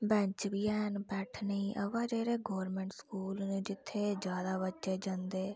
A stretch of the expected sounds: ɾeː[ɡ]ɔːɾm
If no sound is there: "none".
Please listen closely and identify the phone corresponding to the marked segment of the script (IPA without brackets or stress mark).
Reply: ɡ